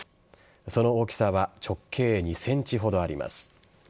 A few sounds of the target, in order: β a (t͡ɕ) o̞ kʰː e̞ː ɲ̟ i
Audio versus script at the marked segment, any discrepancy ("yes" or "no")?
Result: no